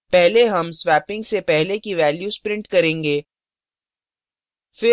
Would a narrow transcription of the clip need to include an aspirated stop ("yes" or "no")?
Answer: no